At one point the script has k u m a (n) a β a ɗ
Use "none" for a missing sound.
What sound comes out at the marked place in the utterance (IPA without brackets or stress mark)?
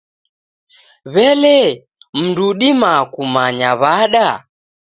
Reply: ɲ